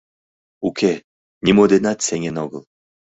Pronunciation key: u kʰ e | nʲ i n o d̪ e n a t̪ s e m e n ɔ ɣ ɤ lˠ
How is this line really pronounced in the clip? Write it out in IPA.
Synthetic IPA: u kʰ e | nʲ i m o d̪ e n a t̪ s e ŋ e n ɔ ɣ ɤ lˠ

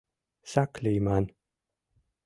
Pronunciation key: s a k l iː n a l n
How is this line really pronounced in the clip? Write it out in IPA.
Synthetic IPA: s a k l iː m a n

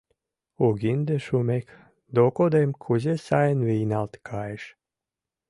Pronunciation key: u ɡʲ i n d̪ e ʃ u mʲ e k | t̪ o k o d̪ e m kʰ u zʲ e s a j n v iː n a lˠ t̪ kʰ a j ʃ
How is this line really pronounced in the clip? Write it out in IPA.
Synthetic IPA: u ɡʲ i n d̪ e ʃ u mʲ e k | d̪ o k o d̪ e m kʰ u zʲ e s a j n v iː n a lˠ t̪ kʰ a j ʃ

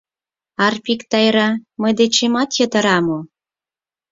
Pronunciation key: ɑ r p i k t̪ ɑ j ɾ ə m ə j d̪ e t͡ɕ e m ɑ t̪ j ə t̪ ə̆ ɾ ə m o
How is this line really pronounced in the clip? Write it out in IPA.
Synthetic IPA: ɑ r p i k t̪ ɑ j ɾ ɑ m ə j d̪ e t͡ɕ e m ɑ t̪ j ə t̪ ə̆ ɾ ɑ m o

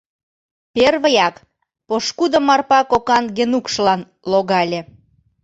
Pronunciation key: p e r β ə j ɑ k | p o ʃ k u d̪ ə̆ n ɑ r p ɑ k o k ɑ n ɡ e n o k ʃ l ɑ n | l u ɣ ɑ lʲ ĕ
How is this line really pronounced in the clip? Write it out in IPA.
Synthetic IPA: p e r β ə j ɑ k | p o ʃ k u d̪ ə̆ m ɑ r p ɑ k o k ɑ n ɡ e n u k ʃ l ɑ n | l o ɣ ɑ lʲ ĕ

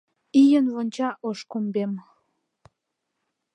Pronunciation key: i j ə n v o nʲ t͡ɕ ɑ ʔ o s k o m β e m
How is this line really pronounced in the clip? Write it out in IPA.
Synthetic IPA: i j ə n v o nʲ t͡ɕ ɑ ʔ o ʃ k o m b e m

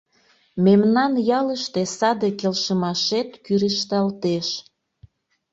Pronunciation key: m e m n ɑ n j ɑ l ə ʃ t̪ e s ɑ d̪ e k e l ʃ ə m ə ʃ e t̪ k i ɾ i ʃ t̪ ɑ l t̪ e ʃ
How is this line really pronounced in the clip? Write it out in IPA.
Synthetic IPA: m e m n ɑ n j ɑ l ə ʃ t̪ e s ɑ d̪ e k e l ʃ ə m ɑ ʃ e t̪ k y ɾ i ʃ t̪ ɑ l t̪ e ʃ

